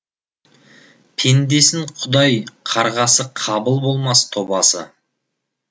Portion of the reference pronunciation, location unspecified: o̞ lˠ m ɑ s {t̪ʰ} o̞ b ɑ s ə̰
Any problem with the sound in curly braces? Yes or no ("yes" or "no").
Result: no